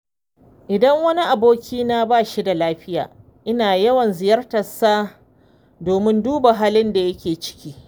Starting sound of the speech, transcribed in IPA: ʔ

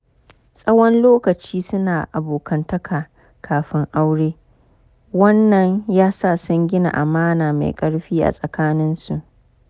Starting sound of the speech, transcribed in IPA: sʼ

